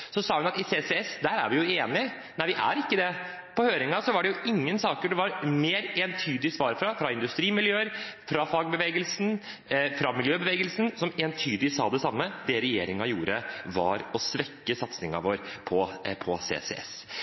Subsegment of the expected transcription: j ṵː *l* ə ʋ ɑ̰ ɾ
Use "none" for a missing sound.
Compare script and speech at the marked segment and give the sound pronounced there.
ɾ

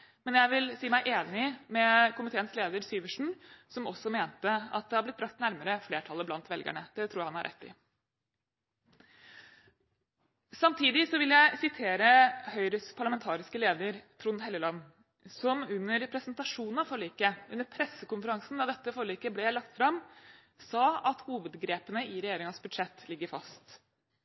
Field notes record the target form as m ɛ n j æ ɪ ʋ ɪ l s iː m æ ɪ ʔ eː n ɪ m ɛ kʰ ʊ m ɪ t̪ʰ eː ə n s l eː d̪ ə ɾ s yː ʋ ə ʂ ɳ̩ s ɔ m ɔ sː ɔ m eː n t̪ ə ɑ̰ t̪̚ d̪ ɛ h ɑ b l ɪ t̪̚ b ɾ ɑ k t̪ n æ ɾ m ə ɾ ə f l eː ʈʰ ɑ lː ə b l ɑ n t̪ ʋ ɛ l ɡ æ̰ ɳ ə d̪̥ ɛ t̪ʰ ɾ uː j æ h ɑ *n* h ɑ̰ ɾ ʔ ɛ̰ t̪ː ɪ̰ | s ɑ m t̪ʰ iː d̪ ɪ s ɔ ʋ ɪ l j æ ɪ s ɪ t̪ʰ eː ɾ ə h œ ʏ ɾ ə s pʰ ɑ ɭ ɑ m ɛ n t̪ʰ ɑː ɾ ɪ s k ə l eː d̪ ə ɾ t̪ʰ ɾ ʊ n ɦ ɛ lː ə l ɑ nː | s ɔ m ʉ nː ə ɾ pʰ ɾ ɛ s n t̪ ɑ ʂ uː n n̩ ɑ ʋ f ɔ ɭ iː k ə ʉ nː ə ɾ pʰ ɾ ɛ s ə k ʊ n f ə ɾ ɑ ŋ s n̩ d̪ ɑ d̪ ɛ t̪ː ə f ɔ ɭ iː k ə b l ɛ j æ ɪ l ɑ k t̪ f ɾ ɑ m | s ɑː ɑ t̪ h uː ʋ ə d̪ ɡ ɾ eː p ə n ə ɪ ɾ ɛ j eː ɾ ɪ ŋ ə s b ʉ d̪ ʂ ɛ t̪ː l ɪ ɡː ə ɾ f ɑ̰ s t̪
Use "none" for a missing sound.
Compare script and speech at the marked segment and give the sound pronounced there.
n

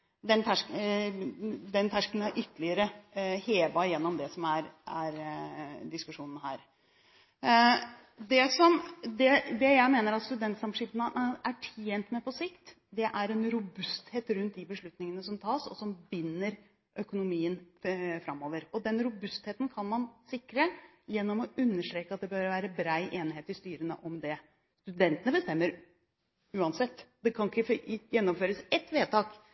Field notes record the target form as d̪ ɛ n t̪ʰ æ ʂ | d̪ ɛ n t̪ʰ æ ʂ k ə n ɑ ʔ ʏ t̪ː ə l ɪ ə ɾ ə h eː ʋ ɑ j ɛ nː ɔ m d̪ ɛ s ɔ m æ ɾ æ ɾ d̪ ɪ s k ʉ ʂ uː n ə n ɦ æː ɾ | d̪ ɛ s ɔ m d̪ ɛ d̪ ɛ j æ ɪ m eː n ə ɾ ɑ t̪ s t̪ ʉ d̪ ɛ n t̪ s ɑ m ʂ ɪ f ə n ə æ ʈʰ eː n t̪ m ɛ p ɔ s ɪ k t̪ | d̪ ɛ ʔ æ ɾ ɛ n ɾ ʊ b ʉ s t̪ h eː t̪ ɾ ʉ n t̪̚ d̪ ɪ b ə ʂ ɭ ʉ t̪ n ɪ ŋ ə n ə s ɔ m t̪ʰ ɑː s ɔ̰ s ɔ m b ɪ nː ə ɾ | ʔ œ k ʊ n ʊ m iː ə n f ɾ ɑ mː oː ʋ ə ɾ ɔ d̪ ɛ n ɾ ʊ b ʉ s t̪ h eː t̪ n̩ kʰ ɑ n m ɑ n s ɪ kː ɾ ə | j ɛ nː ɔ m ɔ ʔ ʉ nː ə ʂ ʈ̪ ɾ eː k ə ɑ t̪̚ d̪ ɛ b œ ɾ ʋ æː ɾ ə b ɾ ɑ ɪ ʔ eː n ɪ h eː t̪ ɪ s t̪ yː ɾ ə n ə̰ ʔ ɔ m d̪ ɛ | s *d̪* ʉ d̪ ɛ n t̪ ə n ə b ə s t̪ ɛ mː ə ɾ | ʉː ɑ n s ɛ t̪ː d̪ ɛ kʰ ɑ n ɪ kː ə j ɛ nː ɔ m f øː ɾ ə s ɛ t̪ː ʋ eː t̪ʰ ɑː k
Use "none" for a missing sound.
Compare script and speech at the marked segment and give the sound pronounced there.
t̪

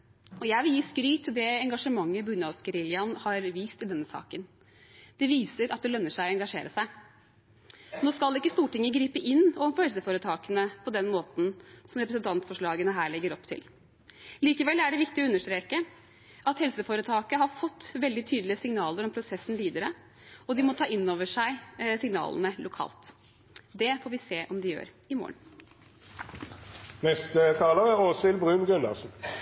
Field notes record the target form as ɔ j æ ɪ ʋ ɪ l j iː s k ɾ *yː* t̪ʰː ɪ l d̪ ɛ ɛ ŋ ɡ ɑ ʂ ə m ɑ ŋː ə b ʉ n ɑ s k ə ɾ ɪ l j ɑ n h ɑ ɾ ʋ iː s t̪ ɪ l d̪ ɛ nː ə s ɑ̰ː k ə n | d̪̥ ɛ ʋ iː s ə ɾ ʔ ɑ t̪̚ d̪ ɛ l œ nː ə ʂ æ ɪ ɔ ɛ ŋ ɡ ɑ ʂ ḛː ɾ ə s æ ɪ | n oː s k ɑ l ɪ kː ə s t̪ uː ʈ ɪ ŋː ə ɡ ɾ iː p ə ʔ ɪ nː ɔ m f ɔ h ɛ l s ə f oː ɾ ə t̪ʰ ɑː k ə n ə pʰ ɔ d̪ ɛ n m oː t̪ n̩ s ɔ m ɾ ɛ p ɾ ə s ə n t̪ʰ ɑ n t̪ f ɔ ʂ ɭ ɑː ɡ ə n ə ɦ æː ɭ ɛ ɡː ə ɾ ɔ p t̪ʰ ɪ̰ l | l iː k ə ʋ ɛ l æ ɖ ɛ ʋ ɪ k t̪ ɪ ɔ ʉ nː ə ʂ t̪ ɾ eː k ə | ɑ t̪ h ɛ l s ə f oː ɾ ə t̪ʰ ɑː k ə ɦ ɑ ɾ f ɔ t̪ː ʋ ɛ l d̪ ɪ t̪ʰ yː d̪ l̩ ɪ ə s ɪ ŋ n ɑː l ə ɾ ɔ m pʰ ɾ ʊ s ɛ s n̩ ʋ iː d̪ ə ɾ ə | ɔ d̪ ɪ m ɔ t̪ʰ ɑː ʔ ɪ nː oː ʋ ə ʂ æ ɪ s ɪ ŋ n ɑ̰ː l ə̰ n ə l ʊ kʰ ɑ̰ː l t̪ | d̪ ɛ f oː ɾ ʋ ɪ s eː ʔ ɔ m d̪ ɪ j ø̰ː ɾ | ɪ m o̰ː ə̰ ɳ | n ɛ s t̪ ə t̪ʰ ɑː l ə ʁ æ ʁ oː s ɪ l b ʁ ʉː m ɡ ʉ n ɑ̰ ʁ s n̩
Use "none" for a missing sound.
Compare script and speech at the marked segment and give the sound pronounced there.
yː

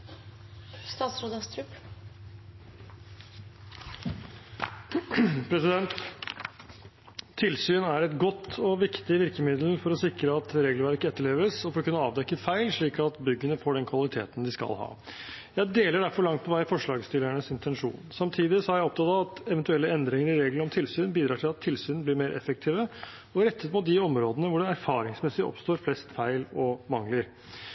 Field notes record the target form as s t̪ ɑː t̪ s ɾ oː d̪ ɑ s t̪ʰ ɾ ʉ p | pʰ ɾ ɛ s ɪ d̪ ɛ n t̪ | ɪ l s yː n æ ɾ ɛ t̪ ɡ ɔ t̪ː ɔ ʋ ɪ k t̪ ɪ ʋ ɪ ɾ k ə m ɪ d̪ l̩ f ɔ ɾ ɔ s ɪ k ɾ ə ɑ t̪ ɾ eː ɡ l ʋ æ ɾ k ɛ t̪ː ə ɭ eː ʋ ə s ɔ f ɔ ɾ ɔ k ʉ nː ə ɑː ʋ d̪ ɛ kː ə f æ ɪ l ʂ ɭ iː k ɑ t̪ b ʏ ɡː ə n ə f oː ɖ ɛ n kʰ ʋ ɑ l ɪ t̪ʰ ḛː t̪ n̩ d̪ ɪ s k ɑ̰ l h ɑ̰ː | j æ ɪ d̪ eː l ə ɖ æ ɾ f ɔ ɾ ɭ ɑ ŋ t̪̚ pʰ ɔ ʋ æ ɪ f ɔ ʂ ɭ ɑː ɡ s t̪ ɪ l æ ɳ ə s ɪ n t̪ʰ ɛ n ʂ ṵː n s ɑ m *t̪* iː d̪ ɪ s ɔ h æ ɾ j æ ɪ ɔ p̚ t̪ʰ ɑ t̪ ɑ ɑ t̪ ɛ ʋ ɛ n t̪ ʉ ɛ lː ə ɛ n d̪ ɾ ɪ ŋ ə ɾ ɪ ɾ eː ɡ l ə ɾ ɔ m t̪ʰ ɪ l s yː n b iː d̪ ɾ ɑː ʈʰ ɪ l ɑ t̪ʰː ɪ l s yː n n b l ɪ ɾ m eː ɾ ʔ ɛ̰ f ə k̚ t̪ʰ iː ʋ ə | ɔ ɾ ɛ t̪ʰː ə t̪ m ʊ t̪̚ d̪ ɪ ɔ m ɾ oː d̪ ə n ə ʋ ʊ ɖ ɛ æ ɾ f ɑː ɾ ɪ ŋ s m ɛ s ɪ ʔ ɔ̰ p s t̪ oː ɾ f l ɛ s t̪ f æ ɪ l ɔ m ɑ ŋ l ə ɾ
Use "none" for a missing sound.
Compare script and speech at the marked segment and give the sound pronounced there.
t̪ʰ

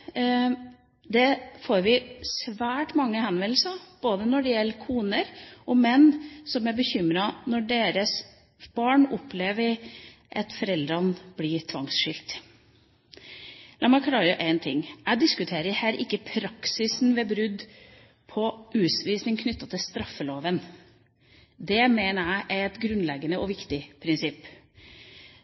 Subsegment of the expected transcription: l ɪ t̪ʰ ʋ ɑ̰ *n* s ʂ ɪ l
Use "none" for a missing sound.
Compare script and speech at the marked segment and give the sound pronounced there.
ŋ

